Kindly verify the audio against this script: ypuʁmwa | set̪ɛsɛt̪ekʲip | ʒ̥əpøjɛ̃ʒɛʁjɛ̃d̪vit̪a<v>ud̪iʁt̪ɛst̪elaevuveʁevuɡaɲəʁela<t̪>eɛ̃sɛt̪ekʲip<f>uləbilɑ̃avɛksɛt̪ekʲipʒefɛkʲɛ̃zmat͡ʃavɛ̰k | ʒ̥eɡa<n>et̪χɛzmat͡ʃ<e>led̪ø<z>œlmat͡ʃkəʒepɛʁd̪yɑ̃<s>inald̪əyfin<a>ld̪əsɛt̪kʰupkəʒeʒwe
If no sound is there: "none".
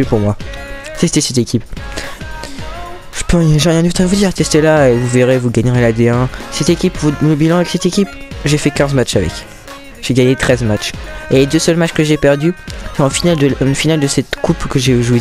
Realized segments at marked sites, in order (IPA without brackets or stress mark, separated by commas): v, d̪, v, ɲ, e, s, f, a